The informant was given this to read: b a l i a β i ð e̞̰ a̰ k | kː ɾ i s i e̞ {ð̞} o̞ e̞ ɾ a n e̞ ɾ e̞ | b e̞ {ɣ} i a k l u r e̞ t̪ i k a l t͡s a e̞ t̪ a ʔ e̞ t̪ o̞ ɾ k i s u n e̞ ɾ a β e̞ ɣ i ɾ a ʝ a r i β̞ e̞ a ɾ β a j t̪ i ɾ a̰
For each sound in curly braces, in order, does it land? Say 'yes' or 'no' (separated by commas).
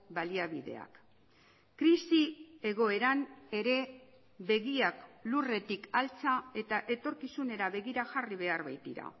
no, yes